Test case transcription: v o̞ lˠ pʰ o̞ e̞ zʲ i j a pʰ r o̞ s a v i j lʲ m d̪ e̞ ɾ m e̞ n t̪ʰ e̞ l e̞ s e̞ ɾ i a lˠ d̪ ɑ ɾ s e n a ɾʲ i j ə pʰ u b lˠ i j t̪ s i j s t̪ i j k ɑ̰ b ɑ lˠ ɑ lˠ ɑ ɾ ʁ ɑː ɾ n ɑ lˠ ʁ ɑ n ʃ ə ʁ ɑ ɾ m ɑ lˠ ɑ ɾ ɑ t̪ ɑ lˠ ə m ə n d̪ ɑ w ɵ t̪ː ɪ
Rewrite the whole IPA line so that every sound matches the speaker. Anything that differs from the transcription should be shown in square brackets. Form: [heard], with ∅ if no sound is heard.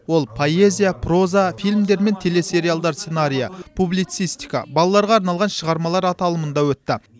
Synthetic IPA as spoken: [w] o̞ lˠ pʰ o̞ e̞ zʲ i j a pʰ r o̞ [z] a [f] i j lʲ m d̪ e̞ ɾ m e̞ n t̪ʰ e̞ l e̞ s e̞ ɾ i a lˠ d̪ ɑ ɾ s e n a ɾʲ i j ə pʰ u b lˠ i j t̪ s i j s t̪ i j k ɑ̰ b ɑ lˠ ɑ lˠ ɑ ɾ ʁ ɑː ɾ n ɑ lˠ ʁ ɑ n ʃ ə ʁ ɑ ɾ m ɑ lˠ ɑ ɾ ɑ t̪ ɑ lˠ ə m ə n d̪ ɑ w ɵ t̪ː ɪ